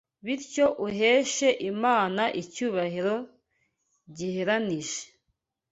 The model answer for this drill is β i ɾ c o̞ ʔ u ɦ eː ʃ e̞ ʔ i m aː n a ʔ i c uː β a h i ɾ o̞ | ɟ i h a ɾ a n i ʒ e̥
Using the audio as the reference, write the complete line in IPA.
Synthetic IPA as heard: β i ɾ c o̞ ʔ u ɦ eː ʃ e̞ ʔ i m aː n a ʔ i c uː β a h i ɾ o̞ | ɟ i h e ɾ a n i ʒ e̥